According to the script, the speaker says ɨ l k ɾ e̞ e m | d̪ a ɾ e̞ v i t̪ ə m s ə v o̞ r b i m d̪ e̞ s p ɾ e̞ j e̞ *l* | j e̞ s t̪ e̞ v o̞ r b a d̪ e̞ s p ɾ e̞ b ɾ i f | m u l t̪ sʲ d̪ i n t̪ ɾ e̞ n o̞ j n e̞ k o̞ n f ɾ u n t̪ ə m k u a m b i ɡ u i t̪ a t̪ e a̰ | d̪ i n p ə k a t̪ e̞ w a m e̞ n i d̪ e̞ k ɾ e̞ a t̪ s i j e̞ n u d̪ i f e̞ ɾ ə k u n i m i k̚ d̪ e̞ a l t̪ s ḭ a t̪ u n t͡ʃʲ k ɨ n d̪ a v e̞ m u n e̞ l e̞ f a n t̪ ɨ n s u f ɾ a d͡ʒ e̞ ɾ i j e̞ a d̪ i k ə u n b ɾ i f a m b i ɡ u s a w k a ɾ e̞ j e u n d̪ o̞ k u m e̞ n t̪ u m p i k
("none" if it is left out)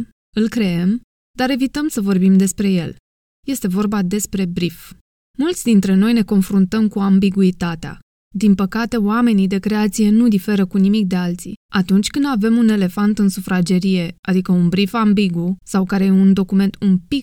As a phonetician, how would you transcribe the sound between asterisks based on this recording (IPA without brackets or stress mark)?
l